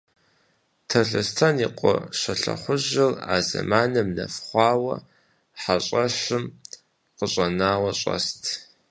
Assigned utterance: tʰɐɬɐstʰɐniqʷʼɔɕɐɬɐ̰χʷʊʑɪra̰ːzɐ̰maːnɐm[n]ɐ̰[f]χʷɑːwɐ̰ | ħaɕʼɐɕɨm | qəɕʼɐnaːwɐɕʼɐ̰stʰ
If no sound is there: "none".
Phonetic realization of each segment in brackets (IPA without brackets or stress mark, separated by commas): n, f